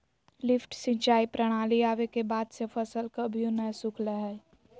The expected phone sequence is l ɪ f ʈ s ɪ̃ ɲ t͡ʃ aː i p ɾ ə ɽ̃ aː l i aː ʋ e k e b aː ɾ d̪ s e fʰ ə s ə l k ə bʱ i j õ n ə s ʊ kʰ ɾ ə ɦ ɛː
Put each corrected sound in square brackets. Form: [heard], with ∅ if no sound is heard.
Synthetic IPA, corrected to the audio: l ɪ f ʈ s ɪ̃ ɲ t͡ʃ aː i p ɾ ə ɽ̃ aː l i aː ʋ e k e b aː [∅] d̪ s e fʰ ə s ə l k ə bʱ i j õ n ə s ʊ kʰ [l] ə ɦ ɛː